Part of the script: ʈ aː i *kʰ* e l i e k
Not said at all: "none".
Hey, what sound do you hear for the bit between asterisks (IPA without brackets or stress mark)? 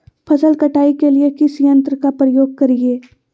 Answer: k